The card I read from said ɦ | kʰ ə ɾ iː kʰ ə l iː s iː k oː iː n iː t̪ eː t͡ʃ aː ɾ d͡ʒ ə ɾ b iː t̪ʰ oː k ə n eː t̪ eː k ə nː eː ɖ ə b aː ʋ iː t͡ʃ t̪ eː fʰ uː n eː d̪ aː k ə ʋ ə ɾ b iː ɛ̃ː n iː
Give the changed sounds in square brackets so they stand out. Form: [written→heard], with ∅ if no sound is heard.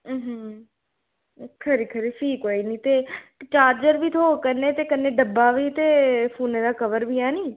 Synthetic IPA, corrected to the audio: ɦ | kʰ ə ɾ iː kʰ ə [l→ɾ] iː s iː k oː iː n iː t̪ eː t͡ʃ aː ɾ d͡ʒ ə ɾ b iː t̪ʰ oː k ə n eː t̪ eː k ə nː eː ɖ ə b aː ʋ iː [t͡ʃ→∅] t̪ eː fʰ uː n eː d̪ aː k ə ʋ ə ɾ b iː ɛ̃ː n iː